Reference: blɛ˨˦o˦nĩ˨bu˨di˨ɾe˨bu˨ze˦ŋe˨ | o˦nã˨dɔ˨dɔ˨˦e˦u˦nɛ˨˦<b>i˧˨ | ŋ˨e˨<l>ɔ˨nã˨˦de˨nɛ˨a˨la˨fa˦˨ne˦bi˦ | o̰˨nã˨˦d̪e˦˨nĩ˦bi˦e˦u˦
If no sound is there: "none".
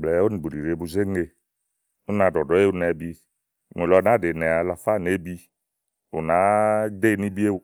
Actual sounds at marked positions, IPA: b, l

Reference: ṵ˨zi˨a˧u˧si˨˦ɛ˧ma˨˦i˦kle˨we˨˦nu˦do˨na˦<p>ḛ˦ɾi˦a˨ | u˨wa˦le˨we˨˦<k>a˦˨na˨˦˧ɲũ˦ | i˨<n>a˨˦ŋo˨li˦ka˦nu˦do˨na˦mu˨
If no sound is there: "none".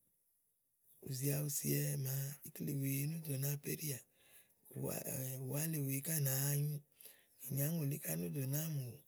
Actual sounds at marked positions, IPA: p, k, ɲ

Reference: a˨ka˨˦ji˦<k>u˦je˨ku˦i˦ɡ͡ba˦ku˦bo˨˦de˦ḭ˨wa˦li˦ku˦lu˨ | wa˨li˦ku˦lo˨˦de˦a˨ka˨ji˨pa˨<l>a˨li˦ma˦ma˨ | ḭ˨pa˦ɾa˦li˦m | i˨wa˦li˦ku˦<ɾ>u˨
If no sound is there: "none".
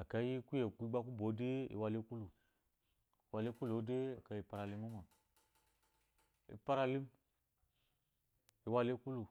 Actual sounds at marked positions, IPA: k, ɾ, l

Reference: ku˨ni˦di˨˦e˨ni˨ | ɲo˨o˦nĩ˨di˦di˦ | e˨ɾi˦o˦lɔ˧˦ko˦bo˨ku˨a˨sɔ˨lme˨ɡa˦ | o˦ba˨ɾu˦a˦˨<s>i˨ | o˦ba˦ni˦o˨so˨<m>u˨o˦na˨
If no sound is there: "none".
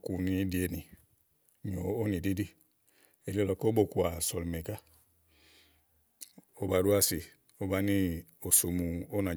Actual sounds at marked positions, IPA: s, m

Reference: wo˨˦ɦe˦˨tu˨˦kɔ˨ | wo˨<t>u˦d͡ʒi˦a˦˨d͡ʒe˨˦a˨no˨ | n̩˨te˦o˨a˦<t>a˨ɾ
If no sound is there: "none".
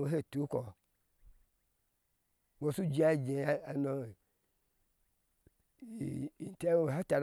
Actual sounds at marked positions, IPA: s, t

